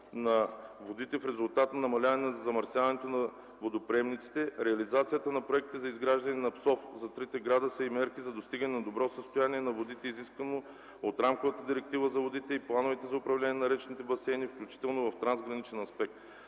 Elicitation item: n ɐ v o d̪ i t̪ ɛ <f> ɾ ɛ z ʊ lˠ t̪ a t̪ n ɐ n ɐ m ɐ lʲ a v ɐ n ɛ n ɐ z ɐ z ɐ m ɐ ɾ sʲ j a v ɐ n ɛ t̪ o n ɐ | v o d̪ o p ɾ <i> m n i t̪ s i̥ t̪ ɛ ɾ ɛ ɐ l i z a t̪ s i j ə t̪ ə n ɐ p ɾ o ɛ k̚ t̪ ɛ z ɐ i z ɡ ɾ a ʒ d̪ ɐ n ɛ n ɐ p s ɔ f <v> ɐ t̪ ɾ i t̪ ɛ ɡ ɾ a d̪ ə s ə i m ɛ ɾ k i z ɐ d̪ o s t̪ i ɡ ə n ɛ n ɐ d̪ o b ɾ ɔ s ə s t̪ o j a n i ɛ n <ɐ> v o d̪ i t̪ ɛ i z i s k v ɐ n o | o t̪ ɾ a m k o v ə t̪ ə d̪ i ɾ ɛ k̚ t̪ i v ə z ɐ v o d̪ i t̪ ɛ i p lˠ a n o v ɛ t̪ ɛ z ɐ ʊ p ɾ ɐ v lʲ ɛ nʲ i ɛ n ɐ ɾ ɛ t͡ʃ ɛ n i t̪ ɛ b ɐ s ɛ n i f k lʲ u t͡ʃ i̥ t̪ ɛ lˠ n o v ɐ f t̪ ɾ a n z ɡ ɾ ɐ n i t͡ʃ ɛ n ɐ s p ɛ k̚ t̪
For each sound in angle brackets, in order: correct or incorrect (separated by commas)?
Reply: correct, incorrect, incorrect, correct